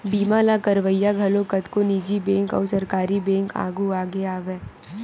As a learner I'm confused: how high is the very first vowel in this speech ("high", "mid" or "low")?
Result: high